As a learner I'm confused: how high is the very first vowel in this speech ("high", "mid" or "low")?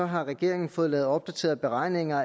low